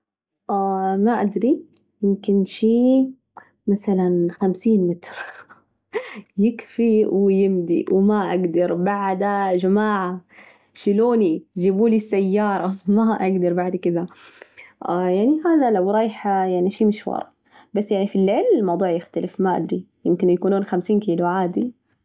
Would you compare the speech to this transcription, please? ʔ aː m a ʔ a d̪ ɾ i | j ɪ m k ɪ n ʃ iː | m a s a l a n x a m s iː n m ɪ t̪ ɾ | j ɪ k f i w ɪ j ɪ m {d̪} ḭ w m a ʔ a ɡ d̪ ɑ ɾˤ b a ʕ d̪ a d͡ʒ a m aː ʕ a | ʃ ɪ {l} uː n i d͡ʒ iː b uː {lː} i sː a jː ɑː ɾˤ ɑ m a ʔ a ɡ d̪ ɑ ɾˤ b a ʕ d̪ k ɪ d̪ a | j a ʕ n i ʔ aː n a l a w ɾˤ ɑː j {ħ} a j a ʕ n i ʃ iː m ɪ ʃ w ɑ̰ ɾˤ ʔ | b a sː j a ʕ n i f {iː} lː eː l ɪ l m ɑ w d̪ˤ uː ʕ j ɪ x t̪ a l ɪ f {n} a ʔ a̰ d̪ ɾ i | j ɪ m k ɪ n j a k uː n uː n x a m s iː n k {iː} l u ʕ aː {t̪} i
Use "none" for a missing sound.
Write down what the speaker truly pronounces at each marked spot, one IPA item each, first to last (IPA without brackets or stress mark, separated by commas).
d̪, l, l, ħ, i, m, iː, d̪